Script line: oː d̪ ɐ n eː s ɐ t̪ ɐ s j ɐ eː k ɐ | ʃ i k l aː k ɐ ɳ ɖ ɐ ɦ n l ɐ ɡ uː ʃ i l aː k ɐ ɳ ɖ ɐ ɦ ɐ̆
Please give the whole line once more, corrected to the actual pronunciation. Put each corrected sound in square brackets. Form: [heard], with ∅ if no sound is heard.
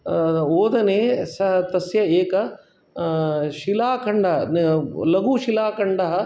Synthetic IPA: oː d̪ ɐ n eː s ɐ t̪ ɐ s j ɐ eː k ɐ | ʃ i [∅] l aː k ɐ ɳ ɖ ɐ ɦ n l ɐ ɡ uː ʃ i l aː k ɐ ɳ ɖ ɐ ɦ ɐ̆